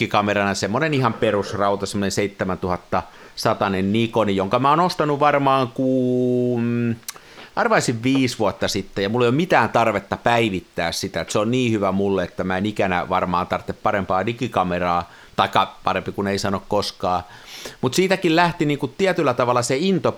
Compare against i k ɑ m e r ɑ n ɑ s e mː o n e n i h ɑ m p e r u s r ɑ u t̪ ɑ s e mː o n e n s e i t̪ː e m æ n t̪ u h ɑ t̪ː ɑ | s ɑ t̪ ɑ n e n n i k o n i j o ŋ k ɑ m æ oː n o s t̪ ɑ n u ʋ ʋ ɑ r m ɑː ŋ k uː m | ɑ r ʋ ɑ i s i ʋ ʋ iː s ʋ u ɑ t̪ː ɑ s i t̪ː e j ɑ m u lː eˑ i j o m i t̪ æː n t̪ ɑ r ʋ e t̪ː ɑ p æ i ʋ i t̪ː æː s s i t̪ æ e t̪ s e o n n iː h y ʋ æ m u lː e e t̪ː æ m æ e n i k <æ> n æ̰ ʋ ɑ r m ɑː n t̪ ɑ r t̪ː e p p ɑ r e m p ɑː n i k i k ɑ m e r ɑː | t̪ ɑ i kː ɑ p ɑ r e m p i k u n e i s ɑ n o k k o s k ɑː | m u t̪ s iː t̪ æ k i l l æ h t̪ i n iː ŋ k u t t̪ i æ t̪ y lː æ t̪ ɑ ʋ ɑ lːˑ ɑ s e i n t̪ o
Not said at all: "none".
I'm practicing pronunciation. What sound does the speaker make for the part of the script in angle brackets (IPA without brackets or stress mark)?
æ